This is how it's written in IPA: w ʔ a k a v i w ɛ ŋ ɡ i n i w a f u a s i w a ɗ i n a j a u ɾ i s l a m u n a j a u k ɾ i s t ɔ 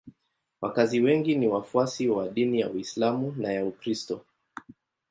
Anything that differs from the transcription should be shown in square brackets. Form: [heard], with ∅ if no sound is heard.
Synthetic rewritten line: w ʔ a k a [z] i w ɛ ŋ ɡ i n i w a f u a s i w a ɗ i n [i] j a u [∅] i s l a m u n a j a u k ɾ i s t ɔ